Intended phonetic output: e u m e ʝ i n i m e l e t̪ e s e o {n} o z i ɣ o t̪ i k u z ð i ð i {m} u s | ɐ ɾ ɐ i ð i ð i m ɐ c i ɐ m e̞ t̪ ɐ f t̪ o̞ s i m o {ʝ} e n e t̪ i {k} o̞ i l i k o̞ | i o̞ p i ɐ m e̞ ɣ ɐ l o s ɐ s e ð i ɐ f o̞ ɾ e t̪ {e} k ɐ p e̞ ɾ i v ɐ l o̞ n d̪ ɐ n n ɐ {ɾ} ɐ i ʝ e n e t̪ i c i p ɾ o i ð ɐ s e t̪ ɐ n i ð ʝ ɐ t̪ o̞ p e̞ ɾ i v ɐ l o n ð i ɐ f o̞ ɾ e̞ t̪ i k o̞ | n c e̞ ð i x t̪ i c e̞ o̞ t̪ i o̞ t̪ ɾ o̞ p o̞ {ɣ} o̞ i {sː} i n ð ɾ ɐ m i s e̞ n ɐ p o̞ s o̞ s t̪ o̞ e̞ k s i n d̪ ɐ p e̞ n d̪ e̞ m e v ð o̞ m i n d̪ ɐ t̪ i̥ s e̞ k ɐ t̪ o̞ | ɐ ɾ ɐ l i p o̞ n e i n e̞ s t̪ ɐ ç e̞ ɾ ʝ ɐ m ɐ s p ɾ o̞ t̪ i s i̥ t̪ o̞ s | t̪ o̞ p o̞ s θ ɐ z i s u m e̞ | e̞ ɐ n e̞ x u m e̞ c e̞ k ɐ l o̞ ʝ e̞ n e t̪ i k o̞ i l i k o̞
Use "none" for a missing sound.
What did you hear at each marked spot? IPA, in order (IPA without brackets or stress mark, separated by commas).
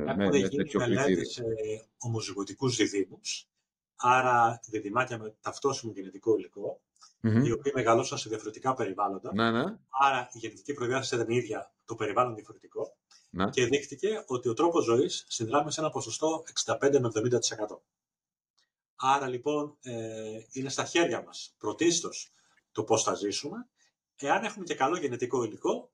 m, m, ʝ, k, i, ɾ, z, sː